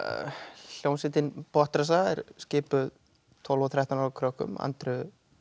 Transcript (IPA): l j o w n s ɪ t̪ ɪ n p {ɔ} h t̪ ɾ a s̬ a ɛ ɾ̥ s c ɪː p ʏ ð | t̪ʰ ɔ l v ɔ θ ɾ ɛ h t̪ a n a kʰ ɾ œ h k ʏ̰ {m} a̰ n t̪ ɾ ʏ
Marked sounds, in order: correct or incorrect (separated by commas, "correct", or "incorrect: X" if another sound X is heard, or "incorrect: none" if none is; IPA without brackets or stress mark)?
correct, correct